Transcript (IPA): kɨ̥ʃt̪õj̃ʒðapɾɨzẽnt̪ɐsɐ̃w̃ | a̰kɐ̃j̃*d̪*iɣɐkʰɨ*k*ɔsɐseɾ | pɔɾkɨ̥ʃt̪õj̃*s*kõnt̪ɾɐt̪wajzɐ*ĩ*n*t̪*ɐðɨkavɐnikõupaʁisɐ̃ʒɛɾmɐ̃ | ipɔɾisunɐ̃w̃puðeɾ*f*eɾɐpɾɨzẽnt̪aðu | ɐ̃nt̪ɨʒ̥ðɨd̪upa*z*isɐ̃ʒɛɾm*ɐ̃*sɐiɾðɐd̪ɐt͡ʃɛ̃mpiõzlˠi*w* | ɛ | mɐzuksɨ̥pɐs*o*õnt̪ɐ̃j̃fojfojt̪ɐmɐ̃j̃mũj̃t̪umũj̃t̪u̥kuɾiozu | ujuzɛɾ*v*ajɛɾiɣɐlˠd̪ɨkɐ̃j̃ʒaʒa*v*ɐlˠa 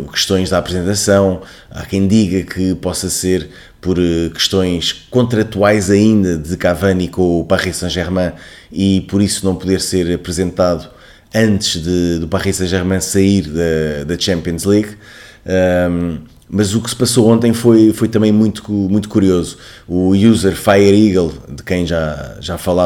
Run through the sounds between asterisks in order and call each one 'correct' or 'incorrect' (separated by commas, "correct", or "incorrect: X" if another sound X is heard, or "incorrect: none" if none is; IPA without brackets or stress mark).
correct, incorrect: p, incorrect: ʃ, correct, incorrect: d̪, incorrect: s, incorrect: ʁ, correct, incorrect: ɣ, correct, incorrect: f, incorrect: f